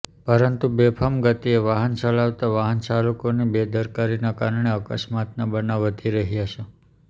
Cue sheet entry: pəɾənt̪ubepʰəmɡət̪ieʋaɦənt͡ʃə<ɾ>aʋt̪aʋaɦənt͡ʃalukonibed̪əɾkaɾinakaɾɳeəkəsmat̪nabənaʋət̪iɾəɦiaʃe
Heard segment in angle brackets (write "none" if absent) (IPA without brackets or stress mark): l